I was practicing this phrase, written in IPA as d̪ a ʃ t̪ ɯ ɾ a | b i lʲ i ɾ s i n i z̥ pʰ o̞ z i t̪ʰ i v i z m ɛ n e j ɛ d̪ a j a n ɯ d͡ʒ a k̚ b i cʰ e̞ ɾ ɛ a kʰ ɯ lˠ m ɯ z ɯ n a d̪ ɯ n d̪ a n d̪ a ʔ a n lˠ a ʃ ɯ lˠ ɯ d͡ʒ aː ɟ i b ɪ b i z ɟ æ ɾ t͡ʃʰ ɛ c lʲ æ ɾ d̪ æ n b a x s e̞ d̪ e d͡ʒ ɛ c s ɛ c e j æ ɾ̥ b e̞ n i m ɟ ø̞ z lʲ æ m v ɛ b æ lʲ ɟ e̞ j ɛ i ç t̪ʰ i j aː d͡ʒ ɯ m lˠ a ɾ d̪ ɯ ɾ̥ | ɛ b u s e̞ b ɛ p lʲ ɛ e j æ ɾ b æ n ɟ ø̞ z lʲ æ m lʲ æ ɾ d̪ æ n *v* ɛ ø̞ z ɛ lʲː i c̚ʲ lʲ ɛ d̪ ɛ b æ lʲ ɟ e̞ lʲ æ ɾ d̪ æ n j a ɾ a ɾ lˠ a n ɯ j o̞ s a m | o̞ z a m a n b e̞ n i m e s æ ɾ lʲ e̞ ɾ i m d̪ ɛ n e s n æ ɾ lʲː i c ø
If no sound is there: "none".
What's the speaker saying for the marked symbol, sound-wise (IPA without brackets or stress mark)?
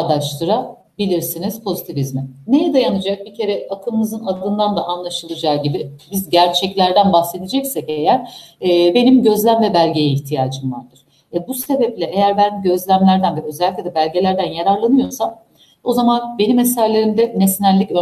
v